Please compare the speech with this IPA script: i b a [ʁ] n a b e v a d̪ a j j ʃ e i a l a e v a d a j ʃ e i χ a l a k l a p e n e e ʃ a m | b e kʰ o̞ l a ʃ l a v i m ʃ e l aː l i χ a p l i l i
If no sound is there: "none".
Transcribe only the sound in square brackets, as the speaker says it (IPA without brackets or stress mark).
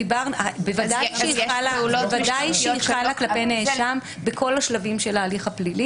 ʁ